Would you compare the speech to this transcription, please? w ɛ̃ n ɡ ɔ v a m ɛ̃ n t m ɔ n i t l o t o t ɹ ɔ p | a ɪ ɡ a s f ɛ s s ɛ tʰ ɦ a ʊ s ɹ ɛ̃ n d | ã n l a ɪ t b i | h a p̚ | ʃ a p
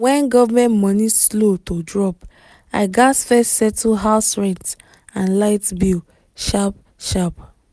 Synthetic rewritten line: w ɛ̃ n ɡ ɔ v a m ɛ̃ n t m ɔ n i s l o t o d ɹ ɔ p | a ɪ ɡ a s f ɛ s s ɛ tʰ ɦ a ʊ s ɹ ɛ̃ n t | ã n l a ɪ t b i | ʃ a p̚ | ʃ a p